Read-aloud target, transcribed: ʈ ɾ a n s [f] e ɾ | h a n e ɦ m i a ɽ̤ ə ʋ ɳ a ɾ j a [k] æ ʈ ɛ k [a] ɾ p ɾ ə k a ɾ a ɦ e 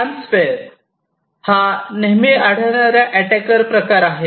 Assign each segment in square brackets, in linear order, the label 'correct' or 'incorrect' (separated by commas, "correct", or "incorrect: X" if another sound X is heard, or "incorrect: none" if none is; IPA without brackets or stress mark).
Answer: correct, incorrect: ʔ, incorrect: ə